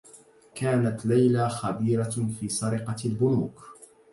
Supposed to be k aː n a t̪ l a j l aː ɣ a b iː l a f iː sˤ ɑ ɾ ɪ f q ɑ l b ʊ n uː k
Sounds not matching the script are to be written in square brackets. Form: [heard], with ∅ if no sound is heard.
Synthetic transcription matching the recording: k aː n a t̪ l a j l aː [x] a b iː [ɾ] a f iː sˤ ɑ ɾ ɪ [∅] q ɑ l b ʊ n uː k